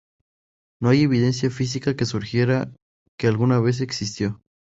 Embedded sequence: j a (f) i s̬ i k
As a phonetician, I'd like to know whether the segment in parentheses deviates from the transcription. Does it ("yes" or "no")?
no